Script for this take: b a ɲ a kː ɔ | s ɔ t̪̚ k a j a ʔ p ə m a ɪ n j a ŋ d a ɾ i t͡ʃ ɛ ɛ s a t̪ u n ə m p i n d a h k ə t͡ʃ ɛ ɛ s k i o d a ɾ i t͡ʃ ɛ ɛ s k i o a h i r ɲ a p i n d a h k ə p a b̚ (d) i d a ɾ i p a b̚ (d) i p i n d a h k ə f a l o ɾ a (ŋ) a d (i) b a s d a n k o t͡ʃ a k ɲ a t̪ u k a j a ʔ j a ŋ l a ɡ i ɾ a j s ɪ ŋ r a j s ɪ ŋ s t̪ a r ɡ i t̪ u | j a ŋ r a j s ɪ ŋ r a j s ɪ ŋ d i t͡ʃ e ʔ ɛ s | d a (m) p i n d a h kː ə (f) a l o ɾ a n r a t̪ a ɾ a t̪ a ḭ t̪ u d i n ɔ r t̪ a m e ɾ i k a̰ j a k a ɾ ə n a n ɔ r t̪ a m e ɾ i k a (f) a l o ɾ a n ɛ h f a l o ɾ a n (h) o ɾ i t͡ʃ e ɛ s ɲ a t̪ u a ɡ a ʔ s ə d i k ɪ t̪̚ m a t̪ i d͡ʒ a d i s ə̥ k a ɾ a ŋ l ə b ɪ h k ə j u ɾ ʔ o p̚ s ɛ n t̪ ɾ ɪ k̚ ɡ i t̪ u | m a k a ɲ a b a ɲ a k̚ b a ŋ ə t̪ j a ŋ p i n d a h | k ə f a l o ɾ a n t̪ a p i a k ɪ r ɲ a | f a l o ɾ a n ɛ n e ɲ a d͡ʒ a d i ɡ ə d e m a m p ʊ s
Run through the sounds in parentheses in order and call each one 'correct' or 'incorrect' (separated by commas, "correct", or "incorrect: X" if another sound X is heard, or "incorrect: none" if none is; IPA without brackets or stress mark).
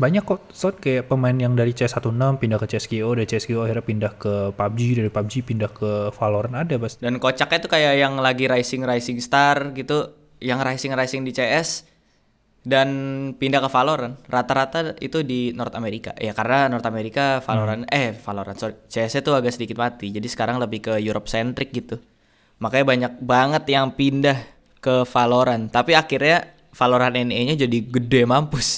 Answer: incorrect: d͡ʒ, incorrect: d͡ʒ, incorrect: n, incorrect: a, incorrect: n, correct, correct, incorrect: s